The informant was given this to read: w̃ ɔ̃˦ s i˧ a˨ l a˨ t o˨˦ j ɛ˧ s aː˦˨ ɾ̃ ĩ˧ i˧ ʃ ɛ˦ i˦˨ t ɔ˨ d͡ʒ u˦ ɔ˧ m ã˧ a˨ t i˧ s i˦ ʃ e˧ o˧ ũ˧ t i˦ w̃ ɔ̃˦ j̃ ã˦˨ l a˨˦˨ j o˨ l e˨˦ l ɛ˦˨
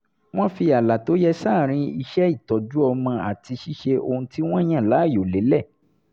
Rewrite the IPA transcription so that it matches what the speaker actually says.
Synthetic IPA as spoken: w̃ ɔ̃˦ f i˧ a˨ l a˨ t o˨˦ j ɛ˧ s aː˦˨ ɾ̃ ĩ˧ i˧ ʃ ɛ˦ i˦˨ t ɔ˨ d͡ʒ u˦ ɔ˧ m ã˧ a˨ t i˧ ʃ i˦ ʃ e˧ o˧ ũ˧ t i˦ w̃ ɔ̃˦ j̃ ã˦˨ l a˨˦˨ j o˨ l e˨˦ l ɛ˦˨